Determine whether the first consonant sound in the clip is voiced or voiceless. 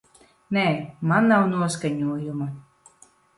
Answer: voiced